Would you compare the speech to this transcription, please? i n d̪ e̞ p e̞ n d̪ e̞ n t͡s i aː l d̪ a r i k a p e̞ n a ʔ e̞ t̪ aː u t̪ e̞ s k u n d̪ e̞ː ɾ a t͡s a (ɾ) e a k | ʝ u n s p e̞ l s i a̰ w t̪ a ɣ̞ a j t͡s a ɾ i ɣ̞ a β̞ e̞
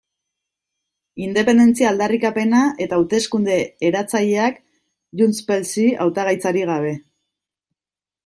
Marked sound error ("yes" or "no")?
yes